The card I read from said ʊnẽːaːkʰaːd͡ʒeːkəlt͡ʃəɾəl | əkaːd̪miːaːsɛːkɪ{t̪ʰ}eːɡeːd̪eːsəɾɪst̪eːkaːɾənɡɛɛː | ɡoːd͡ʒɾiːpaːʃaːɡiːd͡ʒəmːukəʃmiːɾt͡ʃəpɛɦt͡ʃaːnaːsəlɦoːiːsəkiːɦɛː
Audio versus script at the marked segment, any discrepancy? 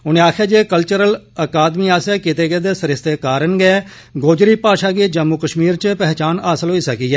yes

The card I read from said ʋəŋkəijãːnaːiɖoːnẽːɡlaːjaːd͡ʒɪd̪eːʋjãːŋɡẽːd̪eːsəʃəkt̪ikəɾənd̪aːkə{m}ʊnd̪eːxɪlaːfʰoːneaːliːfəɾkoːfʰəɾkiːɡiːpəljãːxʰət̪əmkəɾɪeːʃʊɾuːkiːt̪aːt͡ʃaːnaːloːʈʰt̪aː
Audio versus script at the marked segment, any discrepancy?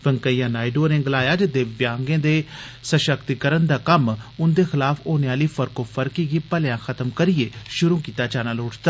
no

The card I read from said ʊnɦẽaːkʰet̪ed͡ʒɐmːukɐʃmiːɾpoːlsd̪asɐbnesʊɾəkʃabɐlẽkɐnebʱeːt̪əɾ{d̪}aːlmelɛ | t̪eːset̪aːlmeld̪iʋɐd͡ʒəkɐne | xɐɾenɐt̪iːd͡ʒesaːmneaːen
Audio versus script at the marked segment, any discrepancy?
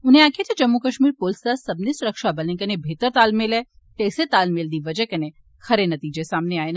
yes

